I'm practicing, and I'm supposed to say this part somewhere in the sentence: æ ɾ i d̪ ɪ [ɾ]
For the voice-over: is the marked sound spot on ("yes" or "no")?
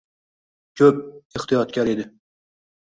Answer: no